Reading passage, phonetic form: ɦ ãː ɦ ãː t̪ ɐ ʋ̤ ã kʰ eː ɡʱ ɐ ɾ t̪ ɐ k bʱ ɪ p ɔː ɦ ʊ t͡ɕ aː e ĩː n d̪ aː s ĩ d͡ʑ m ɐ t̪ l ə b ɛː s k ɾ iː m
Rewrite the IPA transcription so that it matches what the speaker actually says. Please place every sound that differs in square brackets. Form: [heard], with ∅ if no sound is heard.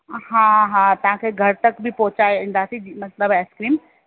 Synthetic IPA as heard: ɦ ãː ɦ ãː t̪ ɐ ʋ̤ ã kʰ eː ɡʱ ɐ ɾ t̪ ɐ k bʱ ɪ p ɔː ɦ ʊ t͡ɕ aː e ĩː n d̪ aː s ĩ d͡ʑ m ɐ t̪ l ə b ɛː s k ɾ iː m